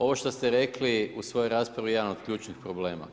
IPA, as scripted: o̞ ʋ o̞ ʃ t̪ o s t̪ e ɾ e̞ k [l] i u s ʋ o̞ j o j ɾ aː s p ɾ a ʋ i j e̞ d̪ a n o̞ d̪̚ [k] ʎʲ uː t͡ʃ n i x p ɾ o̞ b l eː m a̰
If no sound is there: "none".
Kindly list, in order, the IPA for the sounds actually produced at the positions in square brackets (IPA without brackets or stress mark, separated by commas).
l, k